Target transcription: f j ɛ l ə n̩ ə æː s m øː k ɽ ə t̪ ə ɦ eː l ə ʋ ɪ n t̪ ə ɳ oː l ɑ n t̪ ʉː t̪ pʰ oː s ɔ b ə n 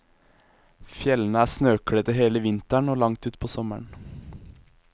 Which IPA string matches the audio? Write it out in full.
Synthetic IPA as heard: f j ɛ l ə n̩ ə æː s n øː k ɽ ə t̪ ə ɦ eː l ə ʋ ɪ n t̪ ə ɳ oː l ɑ ŋ t̪ ʉː t̪ pʰ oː s ɔ m ə ɳ